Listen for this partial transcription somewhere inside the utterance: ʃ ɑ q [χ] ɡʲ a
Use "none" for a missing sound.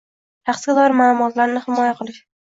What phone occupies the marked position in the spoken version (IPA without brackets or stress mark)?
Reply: s